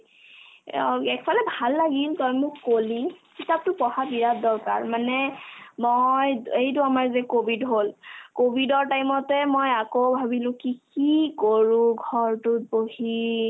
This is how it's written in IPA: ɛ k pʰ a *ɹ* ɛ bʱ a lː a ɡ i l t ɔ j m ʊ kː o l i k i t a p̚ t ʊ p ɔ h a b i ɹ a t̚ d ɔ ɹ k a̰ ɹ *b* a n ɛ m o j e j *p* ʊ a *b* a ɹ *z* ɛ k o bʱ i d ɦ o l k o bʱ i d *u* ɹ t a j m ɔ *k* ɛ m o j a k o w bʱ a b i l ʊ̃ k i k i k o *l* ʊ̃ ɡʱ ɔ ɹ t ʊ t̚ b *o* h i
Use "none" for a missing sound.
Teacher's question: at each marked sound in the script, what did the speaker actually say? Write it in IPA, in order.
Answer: l, m, t, m, z, ɔ, t, ɹ, o

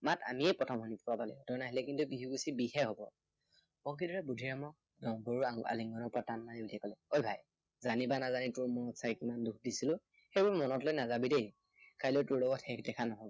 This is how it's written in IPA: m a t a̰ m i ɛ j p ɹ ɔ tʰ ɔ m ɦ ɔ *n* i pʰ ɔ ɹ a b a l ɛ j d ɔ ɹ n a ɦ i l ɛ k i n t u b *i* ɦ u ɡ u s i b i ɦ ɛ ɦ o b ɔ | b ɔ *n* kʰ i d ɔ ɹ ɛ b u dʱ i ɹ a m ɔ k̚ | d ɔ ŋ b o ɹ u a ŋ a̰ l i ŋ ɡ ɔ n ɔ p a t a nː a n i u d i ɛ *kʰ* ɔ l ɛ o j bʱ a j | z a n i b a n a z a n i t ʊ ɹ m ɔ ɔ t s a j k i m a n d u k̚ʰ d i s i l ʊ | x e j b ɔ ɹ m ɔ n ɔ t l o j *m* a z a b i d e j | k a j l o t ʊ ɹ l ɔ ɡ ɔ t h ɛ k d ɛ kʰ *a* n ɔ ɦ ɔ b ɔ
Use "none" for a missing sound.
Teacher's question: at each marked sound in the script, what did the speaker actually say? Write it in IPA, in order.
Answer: n, i, ŋ, k, n, a

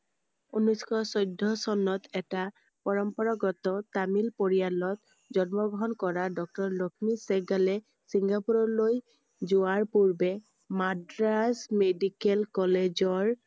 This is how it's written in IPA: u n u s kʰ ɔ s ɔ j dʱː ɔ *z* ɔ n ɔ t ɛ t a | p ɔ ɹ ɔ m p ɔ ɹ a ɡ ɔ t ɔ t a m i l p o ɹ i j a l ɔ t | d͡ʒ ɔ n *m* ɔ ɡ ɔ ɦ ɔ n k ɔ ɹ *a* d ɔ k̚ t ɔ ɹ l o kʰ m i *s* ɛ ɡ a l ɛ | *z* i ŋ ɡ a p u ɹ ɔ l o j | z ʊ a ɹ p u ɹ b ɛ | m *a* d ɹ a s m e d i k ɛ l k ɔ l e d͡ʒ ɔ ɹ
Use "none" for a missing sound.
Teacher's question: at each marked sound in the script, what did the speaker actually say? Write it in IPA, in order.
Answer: s, m, a, s, s, a

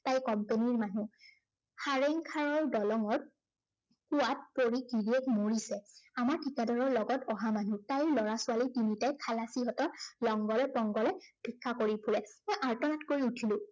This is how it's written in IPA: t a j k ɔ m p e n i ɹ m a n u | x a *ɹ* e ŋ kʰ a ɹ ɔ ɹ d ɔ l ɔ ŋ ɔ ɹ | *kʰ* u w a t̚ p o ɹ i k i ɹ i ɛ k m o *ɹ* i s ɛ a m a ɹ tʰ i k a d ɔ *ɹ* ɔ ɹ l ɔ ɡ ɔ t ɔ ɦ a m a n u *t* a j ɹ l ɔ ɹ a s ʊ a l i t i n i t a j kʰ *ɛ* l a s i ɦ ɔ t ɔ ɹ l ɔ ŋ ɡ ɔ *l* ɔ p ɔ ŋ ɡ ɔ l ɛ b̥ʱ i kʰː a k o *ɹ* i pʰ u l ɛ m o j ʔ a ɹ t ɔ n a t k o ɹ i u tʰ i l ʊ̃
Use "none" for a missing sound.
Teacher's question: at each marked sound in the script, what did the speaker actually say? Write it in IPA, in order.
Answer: ɹ, k, ɹ, ɹ, t, a, l, ɹ

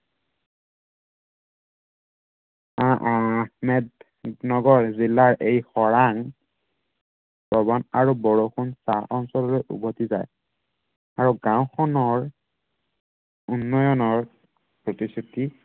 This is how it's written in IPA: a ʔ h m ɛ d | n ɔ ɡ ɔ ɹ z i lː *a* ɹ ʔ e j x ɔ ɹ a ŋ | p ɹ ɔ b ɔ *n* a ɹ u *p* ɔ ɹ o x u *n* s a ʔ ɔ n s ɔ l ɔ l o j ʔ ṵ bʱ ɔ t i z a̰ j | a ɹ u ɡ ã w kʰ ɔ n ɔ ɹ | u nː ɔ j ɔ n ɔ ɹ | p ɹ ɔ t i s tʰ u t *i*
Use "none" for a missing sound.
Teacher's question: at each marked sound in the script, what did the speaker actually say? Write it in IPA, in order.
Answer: a, n, b, n, i

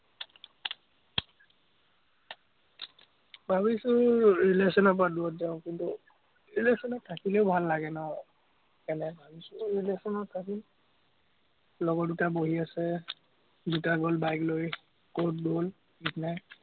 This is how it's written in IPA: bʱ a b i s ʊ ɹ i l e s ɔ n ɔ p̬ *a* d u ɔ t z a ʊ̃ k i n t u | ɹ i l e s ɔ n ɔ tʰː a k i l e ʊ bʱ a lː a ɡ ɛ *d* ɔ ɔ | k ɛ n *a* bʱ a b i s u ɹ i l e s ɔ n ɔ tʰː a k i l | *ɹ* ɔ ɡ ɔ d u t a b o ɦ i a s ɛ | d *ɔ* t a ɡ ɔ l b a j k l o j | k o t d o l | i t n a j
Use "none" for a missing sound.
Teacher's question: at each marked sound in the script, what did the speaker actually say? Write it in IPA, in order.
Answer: a, n, ɛ, l, u

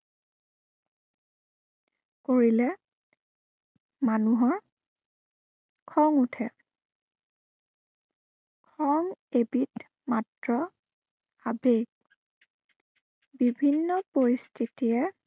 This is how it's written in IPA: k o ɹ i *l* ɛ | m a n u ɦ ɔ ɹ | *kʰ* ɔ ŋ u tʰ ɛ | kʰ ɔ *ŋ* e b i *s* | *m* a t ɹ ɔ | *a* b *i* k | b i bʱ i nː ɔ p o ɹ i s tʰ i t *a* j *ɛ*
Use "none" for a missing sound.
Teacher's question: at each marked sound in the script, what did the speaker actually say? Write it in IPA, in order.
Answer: l, kʰ, ŋ, t, m, a, e, i, ɛ

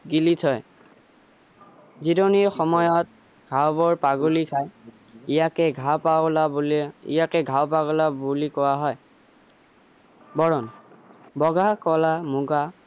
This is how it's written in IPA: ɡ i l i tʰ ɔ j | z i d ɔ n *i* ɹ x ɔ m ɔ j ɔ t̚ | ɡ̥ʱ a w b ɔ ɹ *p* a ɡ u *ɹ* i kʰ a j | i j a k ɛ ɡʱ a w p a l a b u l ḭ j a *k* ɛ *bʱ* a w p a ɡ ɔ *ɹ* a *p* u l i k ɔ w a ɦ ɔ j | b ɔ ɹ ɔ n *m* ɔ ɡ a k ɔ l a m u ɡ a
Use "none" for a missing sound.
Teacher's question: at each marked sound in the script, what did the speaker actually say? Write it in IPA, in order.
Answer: i, p, l, k, ɡʱ, l, b, b

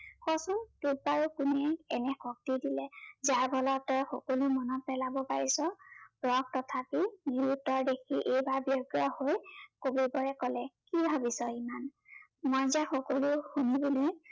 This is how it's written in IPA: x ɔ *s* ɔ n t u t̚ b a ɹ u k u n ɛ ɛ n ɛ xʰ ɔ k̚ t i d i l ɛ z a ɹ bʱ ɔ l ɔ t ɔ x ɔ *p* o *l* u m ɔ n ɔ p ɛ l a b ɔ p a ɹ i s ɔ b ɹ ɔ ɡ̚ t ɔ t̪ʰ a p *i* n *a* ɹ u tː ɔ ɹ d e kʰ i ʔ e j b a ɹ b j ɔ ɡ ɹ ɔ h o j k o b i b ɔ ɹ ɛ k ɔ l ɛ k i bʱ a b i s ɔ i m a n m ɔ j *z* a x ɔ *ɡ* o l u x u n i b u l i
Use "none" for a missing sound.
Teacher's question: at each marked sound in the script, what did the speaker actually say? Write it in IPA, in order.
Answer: s, k, l, i, i, z, k

